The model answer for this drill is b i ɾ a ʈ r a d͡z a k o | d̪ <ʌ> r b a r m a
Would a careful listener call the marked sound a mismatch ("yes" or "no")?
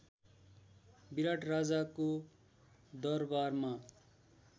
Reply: no